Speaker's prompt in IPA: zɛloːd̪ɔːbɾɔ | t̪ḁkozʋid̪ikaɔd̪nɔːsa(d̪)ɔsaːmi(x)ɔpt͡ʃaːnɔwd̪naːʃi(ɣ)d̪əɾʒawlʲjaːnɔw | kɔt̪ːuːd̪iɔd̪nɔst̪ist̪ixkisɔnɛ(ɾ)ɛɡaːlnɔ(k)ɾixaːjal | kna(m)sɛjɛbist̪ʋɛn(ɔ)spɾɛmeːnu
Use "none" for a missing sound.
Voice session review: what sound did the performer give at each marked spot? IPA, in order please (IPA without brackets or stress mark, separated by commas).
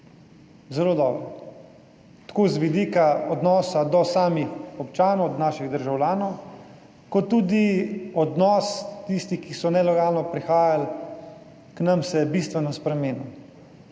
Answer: d̪, x, ɣ, l, p, m, ɔ